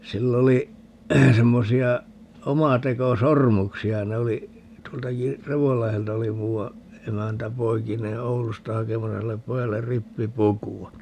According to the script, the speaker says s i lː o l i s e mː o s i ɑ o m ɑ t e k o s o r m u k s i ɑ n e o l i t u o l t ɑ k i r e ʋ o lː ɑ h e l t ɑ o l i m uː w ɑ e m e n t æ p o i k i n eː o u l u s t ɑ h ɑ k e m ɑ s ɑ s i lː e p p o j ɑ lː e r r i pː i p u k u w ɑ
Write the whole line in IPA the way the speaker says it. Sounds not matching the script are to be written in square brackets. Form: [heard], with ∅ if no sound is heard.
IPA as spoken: s i lː o l i s e mː o s i ɑ o m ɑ t e k o s o r m u k s i ɑ n e o l i t u o l t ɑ k i r e ʋ o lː ɑ h e l t ɑ o l i m uː w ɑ e m [æ] n t æ p o i k i n eː o u l u s t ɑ h ɑ k e m ɑ s ɑ s i lː e p p o j ɑ lː e r r i pː i p u k u w ɑ